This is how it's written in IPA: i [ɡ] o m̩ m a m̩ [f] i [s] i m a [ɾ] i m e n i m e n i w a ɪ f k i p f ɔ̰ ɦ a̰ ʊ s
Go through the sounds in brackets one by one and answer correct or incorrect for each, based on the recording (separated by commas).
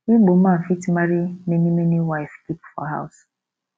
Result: incorrect, correct, incorrect, correct